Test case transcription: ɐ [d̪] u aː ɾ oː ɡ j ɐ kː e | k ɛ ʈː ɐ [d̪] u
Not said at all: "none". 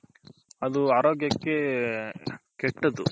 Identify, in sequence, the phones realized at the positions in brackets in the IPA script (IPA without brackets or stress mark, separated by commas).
d̪, d̪